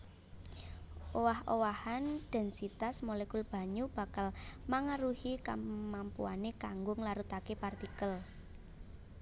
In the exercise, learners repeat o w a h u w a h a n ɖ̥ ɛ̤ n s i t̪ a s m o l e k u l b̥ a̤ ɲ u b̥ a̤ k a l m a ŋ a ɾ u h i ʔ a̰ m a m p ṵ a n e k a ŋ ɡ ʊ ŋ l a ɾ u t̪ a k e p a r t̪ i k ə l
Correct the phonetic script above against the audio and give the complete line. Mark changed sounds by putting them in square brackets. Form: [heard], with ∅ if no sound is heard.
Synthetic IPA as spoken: o w a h [o] w a h a n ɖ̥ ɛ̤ n s i t̪ a s m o l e k u l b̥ a̤ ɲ u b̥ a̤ k a l m a ŋ a ɾ u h i [k] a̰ m a m p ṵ a n e k a ŋ ɡ ʊ ŋ l a ɾ u t̪ a k e p a r t̪ i k ə l